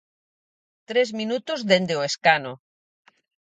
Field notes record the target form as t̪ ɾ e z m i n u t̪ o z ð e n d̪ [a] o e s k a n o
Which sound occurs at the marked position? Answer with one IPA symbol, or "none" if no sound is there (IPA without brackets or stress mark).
e